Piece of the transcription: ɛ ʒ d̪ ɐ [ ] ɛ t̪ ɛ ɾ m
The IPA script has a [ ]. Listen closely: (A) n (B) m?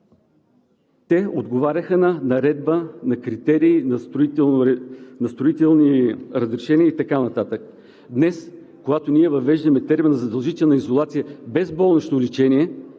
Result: B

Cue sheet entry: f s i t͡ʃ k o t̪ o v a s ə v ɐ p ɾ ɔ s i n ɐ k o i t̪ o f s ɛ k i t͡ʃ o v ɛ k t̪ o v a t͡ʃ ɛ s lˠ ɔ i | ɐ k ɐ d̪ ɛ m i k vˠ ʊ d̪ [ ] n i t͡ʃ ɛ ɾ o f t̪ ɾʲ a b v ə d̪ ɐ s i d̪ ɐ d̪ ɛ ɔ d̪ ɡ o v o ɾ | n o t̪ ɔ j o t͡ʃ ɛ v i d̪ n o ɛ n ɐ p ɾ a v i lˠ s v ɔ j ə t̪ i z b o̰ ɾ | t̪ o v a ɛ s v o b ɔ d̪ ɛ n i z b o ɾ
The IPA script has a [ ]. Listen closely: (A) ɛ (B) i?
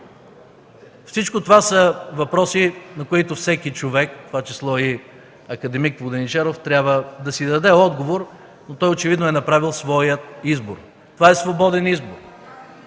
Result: A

